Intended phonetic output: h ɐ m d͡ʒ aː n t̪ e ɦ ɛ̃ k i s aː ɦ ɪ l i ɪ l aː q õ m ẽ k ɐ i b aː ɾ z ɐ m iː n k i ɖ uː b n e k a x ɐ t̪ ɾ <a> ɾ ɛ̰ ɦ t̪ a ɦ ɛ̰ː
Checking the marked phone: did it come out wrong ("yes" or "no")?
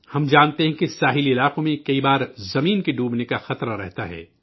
no